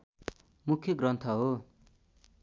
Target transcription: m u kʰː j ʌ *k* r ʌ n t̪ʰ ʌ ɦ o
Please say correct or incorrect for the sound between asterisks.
incorrect